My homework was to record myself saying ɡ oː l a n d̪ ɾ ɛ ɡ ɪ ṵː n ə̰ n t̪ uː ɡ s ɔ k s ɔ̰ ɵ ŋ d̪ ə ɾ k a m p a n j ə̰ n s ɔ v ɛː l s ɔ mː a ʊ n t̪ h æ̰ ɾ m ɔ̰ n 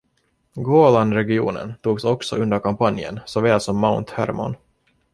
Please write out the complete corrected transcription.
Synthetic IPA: ɡ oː l a n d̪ ɾ ɛ ɡ ɪ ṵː n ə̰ n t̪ uː ɡ s ɔ k s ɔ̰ ɵ n d̪ ə ɾ k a m p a n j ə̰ n s ɔ v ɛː l s ɔ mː a ʊ n t̪ h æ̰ ɾ m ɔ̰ n